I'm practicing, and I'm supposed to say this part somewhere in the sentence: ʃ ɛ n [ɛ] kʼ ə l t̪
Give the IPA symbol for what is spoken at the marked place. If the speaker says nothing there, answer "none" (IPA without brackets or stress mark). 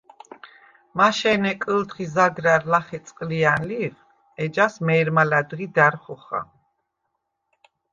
ɛ